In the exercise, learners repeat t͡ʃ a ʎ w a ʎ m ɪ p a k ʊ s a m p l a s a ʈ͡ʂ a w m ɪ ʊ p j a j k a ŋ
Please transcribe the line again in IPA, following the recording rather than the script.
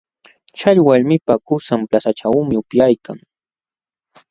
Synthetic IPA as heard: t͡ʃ a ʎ w a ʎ m ɪ p a k ʊ s a m p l a s a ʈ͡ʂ a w m ɪ ʊ p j a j k a ŋ